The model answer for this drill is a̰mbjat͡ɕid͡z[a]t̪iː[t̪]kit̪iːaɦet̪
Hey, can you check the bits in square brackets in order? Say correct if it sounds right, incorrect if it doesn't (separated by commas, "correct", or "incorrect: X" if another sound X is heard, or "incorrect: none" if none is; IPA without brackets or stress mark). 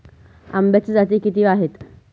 correct, incorrect: none